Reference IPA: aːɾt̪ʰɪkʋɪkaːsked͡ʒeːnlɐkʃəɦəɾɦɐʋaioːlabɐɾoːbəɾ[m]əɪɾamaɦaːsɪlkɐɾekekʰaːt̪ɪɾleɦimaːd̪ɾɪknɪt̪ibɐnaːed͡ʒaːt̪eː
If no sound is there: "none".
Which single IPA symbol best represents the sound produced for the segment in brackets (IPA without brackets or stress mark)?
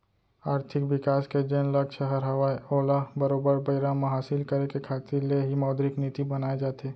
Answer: b